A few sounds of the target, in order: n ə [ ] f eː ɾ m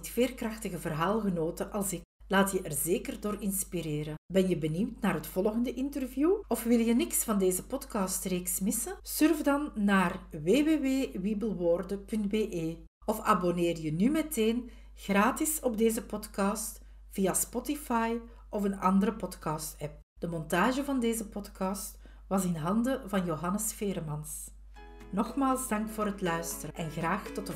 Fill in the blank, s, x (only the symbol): s